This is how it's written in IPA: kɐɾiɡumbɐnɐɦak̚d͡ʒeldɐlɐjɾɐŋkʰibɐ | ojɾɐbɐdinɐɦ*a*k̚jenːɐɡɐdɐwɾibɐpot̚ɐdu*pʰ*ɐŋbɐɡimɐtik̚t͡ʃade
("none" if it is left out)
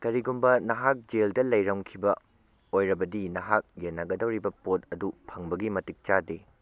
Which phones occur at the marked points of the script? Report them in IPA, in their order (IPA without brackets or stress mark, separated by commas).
a, pʰ